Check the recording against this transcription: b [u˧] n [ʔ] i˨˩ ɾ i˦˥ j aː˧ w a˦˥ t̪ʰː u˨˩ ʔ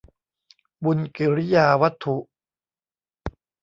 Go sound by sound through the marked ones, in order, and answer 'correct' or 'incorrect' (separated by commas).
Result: correct, incorrect